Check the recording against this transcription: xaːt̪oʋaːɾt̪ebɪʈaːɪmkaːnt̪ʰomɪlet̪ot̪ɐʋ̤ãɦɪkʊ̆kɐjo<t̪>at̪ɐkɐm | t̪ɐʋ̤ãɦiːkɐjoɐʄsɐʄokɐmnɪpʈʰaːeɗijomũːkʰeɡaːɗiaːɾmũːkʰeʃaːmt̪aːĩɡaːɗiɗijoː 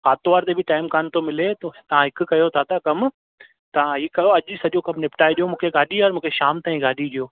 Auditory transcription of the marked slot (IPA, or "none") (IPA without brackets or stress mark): t̪ʰ